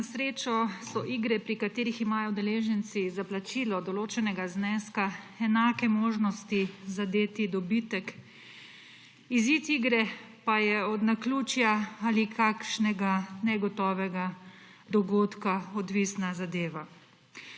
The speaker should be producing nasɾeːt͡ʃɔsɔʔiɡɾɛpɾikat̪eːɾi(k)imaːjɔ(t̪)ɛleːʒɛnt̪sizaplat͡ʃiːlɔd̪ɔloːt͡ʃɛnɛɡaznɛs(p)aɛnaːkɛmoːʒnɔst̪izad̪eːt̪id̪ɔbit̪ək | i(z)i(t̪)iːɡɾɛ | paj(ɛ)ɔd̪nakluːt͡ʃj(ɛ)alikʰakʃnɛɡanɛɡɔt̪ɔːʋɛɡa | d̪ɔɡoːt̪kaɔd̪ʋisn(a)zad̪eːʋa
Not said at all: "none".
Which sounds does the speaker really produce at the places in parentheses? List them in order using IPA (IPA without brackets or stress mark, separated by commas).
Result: x, d̪, k, z, t̪, ɛ, a, a